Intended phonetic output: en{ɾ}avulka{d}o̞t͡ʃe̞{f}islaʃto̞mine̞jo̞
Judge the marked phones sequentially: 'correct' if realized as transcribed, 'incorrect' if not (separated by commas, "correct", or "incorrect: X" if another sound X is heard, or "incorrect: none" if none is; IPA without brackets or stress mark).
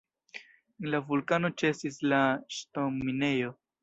incorrect: l, incorrect: n, incorrect: s